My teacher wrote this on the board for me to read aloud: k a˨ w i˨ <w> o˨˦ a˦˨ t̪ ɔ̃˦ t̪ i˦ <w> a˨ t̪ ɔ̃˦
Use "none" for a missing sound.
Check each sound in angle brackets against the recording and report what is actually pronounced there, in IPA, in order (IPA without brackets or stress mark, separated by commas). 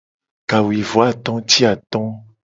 v, none